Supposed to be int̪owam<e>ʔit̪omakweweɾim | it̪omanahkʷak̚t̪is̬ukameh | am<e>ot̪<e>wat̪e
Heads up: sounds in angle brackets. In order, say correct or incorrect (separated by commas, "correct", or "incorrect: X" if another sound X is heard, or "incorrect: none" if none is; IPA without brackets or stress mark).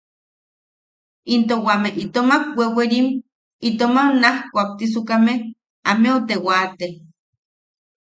correct, correct, correct